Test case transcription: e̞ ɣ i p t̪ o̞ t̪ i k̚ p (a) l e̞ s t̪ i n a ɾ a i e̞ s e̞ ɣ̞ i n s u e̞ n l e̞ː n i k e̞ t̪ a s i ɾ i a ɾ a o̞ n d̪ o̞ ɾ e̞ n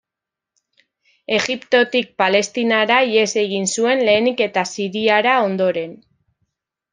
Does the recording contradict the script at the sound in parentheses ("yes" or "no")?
no